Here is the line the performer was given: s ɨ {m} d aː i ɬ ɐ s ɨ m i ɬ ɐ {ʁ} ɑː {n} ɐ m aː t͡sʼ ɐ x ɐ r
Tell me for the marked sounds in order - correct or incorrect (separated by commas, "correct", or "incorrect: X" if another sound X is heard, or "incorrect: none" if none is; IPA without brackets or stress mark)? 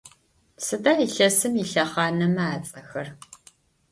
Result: incorrect: none, incorrect: χ, correct